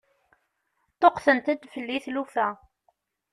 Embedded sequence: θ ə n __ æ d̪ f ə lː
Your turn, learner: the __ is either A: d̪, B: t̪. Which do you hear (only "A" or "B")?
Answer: B